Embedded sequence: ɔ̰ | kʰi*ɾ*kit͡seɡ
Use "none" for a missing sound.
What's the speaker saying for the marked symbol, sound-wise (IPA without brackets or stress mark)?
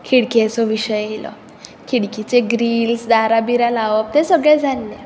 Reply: ɽ